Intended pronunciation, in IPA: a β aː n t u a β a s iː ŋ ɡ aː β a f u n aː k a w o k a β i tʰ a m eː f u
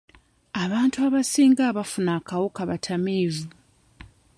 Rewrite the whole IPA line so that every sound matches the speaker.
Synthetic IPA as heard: a β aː n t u a β a s iː ŋ ɡ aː β a f u n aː k a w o k a β a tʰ a m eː v u